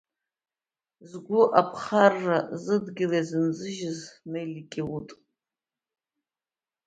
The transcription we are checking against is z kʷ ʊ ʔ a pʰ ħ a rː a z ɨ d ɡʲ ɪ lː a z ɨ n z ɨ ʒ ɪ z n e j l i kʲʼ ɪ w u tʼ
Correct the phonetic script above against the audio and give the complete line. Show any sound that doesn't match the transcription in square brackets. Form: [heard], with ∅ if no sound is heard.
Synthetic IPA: z [ɡʷ] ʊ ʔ a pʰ [χ] a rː a z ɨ d ɡʲ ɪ [l] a z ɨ n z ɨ ʒ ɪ z n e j l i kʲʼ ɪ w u tʼ